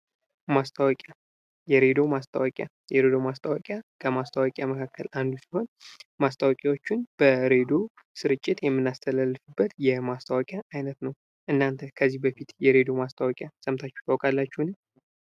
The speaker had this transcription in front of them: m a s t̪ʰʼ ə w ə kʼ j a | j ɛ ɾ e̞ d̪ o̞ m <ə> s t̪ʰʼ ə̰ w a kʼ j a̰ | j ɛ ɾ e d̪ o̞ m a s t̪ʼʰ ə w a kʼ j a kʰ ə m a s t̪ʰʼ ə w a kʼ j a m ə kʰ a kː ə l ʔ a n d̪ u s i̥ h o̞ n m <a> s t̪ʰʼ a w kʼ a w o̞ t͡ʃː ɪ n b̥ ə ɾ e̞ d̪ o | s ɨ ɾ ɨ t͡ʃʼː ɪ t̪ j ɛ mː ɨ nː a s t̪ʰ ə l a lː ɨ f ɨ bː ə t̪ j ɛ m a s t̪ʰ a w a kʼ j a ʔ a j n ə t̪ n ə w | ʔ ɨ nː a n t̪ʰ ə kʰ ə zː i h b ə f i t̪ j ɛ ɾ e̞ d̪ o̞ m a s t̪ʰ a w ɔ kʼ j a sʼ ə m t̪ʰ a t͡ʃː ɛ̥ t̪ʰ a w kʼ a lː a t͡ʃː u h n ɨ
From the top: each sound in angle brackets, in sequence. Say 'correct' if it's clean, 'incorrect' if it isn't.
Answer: incorrect: a, correct

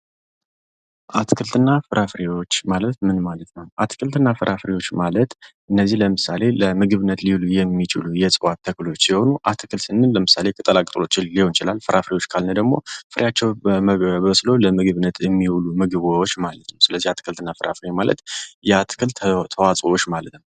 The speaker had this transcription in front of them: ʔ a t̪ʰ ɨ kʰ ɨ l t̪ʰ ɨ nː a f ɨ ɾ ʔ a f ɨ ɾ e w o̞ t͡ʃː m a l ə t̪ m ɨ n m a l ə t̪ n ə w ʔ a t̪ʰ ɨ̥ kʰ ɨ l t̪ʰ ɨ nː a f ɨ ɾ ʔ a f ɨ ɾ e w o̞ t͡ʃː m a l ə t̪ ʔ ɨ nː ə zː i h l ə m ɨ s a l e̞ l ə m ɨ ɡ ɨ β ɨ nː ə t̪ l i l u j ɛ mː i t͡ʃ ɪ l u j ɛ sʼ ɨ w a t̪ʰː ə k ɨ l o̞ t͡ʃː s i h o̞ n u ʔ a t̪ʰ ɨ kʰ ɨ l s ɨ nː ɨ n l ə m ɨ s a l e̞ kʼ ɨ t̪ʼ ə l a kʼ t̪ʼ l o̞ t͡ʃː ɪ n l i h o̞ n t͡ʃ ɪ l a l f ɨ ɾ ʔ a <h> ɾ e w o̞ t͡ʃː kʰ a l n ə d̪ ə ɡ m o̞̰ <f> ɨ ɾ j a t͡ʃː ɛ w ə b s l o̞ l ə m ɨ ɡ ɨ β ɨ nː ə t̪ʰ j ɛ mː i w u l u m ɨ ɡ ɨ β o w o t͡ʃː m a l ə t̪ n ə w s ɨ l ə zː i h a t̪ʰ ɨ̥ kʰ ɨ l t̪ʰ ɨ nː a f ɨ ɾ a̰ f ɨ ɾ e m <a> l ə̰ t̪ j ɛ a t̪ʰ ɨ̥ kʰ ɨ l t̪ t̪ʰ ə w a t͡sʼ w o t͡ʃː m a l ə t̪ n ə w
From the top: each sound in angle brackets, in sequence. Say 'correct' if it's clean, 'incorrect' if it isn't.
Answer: incorrect: f, correct, correct

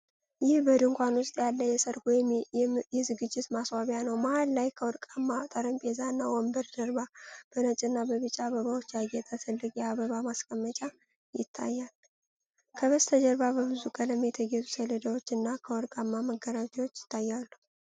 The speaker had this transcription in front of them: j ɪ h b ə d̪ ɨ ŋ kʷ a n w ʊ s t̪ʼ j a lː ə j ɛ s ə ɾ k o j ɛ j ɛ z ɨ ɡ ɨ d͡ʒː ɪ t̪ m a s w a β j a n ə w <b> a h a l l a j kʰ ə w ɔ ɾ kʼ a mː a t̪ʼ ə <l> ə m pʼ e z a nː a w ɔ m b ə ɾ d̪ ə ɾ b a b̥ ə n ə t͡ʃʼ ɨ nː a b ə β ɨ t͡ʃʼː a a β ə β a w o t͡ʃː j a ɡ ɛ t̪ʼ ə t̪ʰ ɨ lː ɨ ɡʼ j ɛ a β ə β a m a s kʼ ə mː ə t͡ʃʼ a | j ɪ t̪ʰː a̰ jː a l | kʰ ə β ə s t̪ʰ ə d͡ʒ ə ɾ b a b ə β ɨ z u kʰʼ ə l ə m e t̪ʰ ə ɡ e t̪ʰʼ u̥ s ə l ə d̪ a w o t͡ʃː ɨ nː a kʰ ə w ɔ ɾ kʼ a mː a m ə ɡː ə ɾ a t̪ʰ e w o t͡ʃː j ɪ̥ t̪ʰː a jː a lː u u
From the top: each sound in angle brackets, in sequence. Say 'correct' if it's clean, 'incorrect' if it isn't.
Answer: incorrect: m, incorrect: ɾ

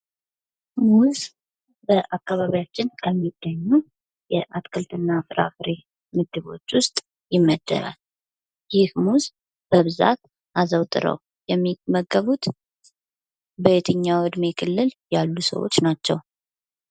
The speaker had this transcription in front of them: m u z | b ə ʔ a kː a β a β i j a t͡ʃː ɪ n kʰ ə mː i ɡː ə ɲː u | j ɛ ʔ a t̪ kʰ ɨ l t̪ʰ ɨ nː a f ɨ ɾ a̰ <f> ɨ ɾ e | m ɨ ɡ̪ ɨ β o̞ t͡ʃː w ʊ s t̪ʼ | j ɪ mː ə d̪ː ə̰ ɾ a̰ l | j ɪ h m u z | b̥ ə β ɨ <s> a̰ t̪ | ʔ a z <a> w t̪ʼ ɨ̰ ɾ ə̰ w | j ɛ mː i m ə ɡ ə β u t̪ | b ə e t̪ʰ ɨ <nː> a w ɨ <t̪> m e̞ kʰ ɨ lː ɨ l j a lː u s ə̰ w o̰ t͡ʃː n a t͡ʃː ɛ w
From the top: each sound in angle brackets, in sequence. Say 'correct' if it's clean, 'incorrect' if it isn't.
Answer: correct, incorrect: z, incorrect: ə, incorrect: ɲː, incorrect: d̪

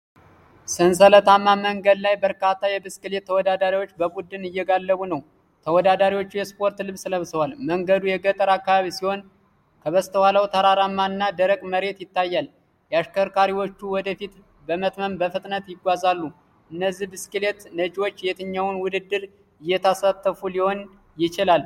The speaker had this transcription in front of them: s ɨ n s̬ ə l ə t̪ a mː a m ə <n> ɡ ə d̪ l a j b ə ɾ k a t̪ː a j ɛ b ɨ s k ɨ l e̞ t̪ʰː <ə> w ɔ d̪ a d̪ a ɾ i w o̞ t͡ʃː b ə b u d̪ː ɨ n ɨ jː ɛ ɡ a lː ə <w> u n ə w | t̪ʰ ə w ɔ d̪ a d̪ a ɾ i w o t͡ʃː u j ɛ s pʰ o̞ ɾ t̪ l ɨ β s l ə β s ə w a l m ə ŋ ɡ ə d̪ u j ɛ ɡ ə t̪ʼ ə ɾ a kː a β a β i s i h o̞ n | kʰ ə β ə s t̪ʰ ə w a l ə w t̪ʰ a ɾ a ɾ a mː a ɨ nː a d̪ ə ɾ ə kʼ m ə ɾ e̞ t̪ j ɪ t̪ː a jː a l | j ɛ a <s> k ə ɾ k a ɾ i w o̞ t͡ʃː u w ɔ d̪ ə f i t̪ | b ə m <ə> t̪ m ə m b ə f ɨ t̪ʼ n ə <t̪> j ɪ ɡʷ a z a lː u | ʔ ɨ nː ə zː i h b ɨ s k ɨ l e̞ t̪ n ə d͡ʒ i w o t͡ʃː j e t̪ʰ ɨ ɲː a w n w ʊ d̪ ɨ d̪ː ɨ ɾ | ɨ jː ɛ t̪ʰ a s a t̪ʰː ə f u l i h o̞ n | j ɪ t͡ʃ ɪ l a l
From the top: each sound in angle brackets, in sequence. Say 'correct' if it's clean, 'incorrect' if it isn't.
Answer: incorrect: ŋ, correct, incorrect: β, incorrect: ʃ, correct, correct

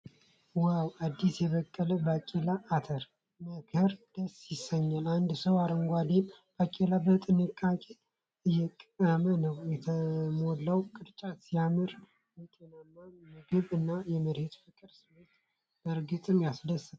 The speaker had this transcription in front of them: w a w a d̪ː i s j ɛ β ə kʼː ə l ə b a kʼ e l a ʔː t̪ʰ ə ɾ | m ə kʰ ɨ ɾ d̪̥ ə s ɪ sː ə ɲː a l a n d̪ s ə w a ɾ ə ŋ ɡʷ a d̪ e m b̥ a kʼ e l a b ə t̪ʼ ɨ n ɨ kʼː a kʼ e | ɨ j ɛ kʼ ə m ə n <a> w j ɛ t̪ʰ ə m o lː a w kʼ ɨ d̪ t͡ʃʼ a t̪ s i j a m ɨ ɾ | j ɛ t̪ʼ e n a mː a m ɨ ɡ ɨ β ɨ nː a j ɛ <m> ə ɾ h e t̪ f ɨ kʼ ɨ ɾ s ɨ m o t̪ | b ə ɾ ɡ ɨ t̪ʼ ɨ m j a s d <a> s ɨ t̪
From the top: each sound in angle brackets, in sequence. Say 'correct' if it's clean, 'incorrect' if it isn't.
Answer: incorrect: ə, correct, incorrect: ə

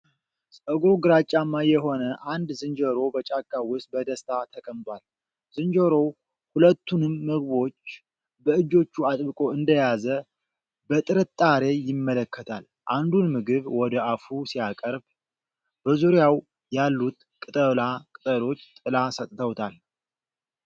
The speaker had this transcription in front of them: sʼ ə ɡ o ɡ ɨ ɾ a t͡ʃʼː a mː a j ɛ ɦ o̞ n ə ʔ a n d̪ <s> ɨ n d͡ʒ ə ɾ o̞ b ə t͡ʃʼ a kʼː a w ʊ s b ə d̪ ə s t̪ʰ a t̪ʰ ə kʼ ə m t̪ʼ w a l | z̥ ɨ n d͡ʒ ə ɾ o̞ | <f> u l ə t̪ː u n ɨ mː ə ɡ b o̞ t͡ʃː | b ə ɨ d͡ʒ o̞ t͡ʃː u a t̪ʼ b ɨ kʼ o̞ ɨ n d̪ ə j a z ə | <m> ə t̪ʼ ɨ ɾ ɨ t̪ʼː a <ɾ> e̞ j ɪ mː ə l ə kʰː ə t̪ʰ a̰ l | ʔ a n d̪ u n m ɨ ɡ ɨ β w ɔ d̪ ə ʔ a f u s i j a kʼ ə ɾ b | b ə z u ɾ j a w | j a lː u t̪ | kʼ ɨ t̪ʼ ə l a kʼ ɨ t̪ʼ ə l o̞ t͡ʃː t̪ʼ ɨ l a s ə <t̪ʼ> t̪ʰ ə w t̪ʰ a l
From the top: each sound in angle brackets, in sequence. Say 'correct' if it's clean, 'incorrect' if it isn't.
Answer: incorrect: z, incorrect: h, incorrect: b, correct, correct

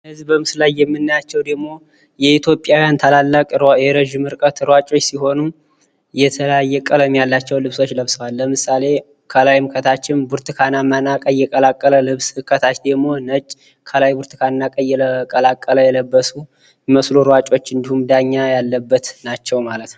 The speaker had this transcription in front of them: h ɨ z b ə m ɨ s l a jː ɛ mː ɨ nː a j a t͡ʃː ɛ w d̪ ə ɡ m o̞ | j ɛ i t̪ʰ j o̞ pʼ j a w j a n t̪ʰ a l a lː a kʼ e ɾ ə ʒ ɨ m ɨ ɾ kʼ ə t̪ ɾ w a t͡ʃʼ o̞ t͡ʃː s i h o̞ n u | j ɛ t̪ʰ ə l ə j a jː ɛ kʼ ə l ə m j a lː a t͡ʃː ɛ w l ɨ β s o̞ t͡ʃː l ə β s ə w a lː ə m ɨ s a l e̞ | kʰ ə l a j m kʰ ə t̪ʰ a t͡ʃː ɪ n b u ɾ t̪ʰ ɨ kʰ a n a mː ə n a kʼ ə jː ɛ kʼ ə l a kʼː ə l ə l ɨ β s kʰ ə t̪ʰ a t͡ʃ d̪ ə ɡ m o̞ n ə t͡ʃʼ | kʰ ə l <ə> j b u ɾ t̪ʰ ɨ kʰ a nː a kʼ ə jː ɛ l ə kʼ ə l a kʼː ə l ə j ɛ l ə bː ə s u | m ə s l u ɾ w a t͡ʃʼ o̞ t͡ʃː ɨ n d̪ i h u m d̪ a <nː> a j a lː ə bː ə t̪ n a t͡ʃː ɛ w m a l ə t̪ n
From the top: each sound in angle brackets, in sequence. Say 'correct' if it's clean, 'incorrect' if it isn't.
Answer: incorrect: a, incorrect: ɲː

